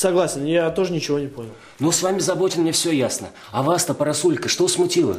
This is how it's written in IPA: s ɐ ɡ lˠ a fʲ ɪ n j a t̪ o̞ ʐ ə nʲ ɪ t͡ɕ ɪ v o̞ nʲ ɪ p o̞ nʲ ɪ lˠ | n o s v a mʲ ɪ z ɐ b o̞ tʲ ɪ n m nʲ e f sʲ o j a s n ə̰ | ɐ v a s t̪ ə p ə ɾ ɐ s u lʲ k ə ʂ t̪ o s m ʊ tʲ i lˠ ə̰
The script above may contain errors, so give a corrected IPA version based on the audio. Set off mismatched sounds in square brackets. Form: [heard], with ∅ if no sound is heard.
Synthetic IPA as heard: s ɐ ɡ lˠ a [sʲ] ɪ n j a t̪ o̞ ʐ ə nʲ ɪ t͡ɕ ɪ v o̞ nʲ ɪ p o̞ nʲ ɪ lˠ | n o s v a mʲ ɪ z ɐ b o̞ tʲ ɪ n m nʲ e f sʲ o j a s n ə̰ | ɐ v a s t̪ ə p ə ɾ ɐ s u lʲ k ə ʂ t̪ o s m ʊ tʲ i lˠ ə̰